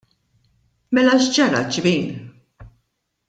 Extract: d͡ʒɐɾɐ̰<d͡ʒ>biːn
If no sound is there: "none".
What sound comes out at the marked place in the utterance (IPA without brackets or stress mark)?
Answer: d͡ʒ